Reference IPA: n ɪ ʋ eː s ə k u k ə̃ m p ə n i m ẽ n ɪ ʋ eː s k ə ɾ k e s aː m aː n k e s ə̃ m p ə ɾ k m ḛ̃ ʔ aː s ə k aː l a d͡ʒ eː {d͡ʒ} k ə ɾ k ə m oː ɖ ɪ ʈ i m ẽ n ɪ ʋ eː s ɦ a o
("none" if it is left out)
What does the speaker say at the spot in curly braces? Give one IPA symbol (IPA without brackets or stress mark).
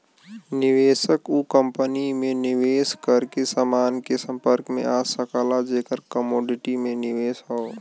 none